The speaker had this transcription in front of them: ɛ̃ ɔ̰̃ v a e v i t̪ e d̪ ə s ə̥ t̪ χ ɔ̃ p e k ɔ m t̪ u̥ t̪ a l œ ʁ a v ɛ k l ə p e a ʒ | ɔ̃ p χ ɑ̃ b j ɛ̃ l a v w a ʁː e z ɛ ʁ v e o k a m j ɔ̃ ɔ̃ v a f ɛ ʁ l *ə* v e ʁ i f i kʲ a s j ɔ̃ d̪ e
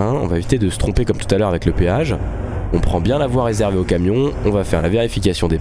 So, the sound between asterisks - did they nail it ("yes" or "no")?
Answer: no